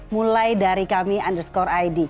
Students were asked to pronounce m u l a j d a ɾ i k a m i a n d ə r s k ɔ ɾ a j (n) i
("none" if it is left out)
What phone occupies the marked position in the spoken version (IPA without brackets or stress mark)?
d